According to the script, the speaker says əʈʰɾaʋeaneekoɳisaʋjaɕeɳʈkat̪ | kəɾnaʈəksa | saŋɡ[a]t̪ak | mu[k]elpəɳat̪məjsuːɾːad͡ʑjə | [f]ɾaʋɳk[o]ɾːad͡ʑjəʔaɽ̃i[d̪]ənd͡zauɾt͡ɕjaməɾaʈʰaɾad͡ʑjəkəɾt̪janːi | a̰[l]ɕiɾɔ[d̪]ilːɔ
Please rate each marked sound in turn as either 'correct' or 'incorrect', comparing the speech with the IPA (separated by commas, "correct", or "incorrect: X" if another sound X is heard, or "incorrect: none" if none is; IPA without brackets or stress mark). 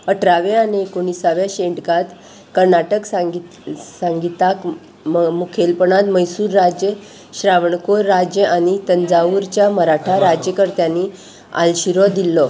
incorrect: i, incorrect: kʰ, incorrect: ɕ, correct, incorrect: t̪, correct, correct